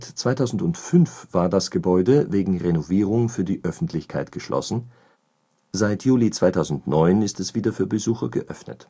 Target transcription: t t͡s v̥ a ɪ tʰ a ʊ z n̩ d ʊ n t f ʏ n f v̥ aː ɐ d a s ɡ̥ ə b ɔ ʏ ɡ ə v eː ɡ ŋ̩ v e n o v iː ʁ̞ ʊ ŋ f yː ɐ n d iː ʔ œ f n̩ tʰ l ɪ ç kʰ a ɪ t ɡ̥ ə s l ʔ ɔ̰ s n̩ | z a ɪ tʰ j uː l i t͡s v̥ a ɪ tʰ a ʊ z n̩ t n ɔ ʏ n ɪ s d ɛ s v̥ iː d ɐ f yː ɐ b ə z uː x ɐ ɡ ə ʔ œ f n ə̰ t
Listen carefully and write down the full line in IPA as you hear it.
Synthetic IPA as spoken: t t͡s v̥ a ɪ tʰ a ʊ z n̩ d ʊ n t f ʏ n f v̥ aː ɐ d a s ɡ̥ ə b ɔ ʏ d ə v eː ɡ ŋ̩ ʁ e n o v iː ʁ̞ ʊ ŋ f yː ɐ d iː ʔ œ f n̩ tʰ l ɪ ç kʰ a ɪ t ɡ̥ ə ʃ l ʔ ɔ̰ s n̩ | z a ɪ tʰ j uː l i t͡s v̥ a ɪ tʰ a ʊ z n̩ t n ɔ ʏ n ɪ s t ɛ s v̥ iː d ɐ f yː ɐ b ə z uː x ɐ ɡ ə ʔ œ f n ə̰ t